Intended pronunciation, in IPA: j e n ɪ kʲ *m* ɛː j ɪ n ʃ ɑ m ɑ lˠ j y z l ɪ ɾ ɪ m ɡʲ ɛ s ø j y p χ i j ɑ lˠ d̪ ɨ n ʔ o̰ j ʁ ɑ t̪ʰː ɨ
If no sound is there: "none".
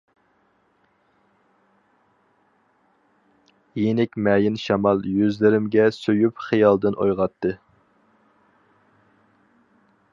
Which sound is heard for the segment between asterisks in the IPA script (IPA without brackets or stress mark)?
m